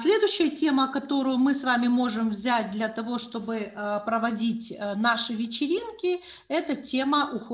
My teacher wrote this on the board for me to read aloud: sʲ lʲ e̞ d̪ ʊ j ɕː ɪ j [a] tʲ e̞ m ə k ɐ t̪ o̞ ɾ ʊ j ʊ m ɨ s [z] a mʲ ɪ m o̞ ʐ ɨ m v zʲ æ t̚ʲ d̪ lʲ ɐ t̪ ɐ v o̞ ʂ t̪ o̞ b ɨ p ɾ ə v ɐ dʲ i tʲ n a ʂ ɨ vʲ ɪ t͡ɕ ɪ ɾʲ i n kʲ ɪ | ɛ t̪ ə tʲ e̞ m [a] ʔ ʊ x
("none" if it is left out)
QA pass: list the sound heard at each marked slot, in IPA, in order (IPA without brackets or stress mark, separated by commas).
ə, v, ə